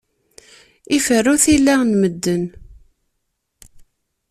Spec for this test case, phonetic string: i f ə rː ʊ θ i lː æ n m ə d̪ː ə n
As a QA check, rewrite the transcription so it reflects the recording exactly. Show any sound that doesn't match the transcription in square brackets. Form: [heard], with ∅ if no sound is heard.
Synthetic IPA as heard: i f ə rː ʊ θ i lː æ n m ə d̪ː ə n